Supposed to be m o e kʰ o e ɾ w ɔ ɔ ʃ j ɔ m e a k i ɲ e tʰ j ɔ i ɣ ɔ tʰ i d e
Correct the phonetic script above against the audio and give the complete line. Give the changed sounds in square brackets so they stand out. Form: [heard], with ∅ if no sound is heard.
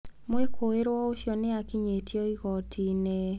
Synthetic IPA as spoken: m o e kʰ o e ɾ w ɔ [o] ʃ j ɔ [n] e a k i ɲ e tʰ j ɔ i ɣ ɔ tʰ i [n] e